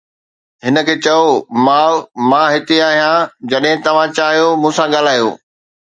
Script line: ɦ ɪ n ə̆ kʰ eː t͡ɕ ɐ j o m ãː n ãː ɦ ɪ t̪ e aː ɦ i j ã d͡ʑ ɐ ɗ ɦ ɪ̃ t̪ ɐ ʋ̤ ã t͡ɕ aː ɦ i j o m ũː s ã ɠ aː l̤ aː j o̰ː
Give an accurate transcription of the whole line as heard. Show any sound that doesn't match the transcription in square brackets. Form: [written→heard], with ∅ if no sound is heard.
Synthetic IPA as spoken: ɦ ɪ n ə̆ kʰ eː t͡ɕ ɐ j o m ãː [n→m] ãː ɦ ɪ t̪ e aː ɦ i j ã d͡ʑ ɐ ɗ ɦ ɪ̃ t̪ ɐ ʋ̤ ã t͡ɕ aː ɦ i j o m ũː s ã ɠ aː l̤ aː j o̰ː